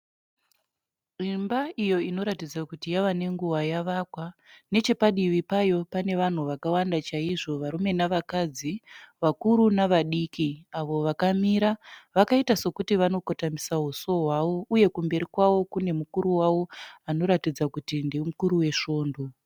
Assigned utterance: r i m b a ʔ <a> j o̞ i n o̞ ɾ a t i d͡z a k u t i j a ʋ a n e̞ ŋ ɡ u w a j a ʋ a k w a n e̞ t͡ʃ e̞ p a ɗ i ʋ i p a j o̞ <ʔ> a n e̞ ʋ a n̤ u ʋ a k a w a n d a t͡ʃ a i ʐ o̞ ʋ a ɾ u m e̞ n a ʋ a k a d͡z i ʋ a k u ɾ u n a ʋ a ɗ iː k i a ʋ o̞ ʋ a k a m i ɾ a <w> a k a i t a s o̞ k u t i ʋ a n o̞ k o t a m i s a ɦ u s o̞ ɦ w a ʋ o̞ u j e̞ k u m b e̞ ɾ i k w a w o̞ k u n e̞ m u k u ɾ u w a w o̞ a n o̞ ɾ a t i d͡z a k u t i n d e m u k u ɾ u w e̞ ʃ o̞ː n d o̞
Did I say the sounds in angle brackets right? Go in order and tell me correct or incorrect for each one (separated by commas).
incorrect, incorrect, incorrect